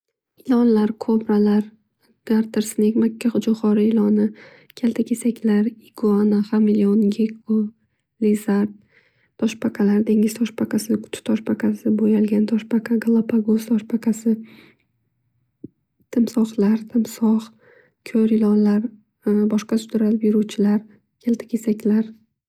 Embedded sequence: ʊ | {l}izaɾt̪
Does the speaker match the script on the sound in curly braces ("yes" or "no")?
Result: yes